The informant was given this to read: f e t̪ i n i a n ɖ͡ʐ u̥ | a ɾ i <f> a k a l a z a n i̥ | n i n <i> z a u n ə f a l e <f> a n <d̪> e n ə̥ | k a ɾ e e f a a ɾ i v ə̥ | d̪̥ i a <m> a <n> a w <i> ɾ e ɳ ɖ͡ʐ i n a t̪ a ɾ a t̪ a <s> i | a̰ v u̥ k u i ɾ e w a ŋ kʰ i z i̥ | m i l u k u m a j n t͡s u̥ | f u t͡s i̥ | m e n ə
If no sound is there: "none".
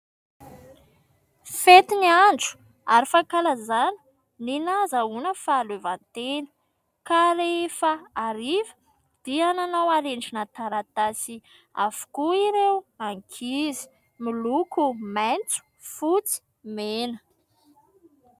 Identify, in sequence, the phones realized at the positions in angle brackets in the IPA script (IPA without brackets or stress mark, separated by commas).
f, a, v, t̪, n, n, a, s